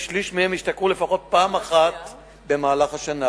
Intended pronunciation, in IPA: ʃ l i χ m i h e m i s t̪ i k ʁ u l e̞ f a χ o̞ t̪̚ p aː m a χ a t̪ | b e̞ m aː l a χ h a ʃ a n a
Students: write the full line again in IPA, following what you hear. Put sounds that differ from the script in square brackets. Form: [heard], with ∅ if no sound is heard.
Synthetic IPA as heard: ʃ l i [ʃ] m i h e m i [ʃ] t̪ [a] k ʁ u l e̞ f a χ o̞ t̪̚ p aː m a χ a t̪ | b e̞ m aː l a χ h a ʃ a n a